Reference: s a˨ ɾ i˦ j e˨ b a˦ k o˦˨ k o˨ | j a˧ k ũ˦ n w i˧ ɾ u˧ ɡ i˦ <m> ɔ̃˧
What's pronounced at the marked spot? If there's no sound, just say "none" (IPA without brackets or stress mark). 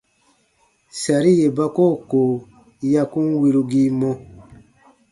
m